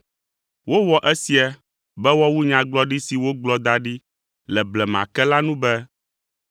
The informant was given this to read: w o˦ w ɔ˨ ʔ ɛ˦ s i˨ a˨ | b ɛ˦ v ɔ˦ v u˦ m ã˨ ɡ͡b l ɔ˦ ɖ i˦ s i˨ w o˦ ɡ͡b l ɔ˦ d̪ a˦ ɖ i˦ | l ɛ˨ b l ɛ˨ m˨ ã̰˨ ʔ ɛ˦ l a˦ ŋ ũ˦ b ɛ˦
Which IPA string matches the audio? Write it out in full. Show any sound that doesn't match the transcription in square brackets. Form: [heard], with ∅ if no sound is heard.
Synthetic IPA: w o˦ w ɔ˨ ʔ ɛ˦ s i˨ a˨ | b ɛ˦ [w] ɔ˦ [w] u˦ [ɲ] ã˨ ɡ͡b l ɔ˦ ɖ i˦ s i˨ w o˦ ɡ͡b l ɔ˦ d̪ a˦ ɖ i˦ | l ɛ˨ b l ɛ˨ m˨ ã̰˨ [k] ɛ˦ l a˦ [n] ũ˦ b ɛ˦